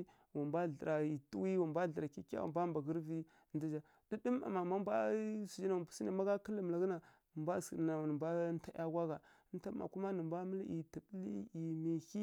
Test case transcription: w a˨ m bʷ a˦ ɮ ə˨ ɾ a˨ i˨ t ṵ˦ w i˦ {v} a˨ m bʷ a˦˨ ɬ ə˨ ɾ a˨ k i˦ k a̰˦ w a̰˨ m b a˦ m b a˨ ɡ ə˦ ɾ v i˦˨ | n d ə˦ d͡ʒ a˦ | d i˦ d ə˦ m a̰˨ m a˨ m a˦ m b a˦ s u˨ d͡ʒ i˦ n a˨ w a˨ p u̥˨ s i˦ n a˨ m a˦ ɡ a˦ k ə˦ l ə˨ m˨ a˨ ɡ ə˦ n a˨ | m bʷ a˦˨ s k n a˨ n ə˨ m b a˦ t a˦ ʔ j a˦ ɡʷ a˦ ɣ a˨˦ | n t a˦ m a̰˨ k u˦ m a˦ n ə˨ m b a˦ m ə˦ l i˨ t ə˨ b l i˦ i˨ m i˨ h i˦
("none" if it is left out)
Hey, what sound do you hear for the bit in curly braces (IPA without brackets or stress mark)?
w